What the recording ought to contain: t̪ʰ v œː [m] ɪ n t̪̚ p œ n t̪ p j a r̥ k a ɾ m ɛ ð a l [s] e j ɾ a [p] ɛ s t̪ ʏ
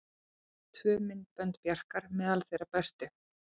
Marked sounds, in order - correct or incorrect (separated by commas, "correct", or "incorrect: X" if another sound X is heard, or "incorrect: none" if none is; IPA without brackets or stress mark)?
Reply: correct, incorrect: θ, correct